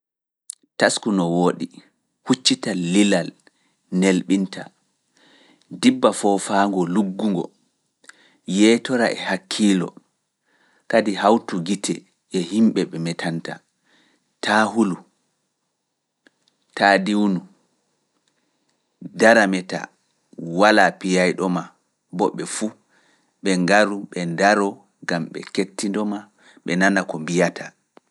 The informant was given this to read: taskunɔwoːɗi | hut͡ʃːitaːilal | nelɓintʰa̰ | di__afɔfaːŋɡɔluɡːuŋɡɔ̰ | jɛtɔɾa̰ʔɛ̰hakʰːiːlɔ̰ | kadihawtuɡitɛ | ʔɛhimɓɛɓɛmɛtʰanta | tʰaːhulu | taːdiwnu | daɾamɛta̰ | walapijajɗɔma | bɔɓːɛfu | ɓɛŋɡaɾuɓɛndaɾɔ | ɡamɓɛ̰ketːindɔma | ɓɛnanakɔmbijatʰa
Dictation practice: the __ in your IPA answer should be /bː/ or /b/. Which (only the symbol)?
bː